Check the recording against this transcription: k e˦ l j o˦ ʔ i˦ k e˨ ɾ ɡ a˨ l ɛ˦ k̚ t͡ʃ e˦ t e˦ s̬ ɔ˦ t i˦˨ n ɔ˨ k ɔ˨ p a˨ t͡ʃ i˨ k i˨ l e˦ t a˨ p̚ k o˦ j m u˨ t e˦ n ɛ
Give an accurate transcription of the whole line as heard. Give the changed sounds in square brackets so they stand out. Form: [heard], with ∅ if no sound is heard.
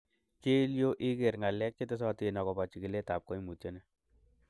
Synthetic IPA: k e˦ l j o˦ ʔ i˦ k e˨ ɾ [ŋ] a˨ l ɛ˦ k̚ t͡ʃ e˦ t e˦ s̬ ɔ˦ t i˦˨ n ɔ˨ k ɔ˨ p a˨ t͡ʃ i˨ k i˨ l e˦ t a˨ p̚ k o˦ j m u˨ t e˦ n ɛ